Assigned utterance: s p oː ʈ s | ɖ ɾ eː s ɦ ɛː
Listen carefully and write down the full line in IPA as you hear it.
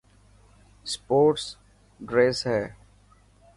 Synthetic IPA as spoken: s p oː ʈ s | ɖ ɾ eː s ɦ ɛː